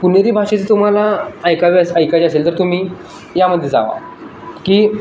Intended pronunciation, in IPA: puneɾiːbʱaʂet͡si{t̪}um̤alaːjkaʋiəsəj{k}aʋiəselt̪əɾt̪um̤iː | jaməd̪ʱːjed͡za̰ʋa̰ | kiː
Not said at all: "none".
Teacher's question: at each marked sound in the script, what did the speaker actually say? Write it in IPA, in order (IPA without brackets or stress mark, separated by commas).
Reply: t̪, k